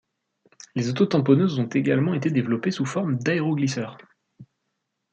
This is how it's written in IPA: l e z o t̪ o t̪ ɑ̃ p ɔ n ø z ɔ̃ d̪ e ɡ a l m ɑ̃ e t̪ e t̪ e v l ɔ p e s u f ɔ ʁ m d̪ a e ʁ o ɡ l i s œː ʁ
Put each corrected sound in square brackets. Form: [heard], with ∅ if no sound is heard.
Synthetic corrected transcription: l e z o t̪ o t̪ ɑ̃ p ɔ n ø z ɔ̃ [t̪] e ɡ a l m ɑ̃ e t̪ e [d̪] e v l ɔ p e s u f ɔ ʁ m d̪ a e ʁ o ɡ l i s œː ʁ